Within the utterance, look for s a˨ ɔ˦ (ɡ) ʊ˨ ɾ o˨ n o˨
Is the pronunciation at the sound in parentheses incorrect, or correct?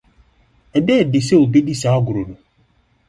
correct